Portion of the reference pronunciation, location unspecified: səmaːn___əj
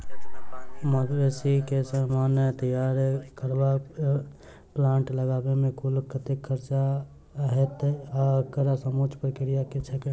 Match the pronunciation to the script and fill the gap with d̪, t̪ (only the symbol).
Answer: t̪